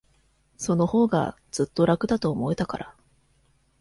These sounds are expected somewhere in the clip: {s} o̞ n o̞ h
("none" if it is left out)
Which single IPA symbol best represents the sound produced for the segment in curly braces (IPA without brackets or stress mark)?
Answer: s